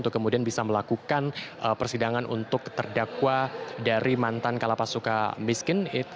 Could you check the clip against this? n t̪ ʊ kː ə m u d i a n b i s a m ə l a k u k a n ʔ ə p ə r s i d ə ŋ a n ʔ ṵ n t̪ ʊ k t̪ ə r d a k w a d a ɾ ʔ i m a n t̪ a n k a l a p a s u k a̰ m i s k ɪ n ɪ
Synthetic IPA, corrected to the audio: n t̪ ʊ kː ə m u d i a n b i s a m ə l a k u k a n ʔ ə p ə r s i d a ŋ a n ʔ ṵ n t̪ ʊ k t̪ ə r d a k w a d a ɾ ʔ i m a n t̪ a n k a l a p a s u k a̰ m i s k ɪ n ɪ